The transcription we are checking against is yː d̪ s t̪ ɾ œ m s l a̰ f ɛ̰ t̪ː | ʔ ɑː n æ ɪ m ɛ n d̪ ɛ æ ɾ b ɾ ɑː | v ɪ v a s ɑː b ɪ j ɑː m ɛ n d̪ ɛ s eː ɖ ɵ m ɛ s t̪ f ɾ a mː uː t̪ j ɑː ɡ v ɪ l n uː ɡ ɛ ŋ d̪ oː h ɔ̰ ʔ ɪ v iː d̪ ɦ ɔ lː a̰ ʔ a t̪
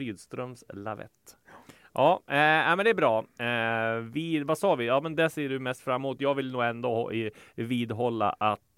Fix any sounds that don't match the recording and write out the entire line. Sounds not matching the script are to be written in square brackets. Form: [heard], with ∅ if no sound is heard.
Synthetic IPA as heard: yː d̪ s t̪ ɾ œ m s l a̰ [v] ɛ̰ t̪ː | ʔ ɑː n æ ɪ m ɛ n d̪ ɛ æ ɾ b ɾ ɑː | v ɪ v a s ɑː [v] ɪ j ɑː m ɛ n d̪ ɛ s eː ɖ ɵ m ɛ s t̪ f ɾ a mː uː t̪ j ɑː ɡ v ɪ l n uː ɡ ɛ [n] d̪ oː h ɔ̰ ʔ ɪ v iː d̪ ɦ ɔ lː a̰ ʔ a t̪